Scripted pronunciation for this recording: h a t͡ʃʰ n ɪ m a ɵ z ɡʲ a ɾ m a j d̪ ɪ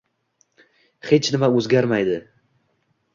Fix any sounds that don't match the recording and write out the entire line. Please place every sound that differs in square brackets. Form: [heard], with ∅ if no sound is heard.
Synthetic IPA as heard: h [e] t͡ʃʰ n ɪ m a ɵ z ɡʲ a ɾ m a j d̪ ɪ